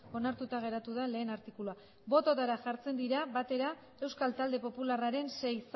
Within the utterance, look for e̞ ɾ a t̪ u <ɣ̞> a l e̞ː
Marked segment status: incorrect: ð̞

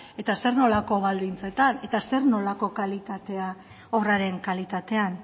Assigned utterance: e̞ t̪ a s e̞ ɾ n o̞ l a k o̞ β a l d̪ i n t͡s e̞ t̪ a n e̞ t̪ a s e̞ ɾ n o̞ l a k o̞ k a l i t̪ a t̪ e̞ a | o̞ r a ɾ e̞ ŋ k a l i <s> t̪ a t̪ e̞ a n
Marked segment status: incorrect: none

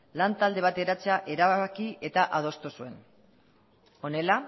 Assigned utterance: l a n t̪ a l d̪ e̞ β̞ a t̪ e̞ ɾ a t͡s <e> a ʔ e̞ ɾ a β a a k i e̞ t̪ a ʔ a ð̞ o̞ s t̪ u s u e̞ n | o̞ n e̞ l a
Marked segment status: correct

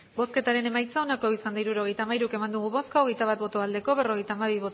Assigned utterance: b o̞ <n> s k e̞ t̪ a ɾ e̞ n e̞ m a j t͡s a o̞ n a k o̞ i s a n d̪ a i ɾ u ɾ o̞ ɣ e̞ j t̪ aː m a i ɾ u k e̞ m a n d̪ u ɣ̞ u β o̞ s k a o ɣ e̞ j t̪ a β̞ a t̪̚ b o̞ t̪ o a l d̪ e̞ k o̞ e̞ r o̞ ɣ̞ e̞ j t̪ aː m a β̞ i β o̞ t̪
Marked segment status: incorrect: none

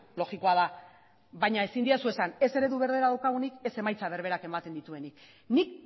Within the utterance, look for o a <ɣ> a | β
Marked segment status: incorrect: ð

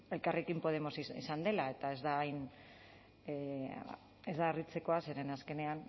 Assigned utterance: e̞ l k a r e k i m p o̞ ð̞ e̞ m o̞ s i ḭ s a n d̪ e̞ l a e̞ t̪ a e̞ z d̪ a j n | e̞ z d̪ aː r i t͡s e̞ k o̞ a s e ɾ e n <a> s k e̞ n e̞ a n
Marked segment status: correct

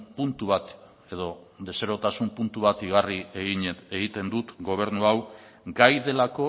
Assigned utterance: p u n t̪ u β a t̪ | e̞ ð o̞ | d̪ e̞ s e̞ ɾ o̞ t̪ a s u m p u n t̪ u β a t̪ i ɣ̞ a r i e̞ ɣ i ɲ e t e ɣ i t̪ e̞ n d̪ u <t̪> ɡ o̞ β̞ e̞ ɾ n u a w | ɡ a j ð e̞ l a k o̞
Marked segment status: correct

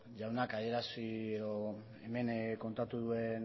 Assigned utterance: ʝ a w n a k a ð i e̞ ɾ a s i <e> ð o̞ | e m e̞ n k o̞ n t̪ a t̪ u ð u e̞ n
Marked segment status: correct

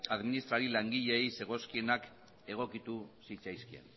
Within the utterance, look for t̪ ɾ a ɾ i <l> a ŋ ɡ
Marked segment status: correct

